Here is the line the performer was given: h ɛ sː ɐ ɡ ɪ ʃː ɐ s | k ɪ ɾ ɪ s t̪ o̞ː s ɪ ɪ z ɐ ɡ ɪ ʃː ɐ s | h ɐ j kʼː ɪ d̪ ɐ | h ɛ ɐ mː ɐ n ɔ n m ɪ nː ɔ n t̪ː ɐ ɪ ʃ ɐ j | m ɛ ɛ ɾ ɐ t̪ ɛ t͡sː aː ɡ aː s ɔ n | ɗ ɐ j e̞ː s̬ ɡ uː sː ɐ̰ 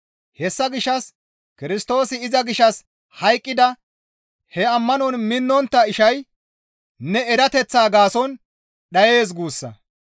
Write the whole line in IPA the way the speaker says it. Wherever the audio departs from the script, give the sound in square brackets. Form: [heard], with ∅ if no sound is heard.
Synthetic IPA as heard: h ɛ sː ɐ ɡ ɪ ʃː ɐ s | k ɪ ɾ ɪ s t̪ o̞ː s ɪ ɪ z ɐ ɡ ɪ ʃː ɐ s | h ɐ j kʼː ɪ d̪ ɐ | h ɛ ɐ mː ɐ n ɔ n m ɪ nː ɔ n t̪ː ɐ ɪ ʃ ɐ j | [n] ɛ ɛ ɾ ɐ t̪ ɛ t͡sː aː ɡ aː s ɔ n | ɗ ɐ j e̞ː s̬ ɡ uː sː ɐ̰